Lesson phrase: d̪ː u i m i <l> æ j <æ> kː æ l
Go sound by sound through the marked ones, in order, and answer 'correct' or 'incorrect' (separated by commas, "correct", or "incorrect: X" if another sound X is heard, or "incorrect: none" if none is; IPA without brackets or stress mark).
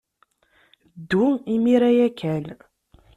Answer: incorrect: ɾ, correct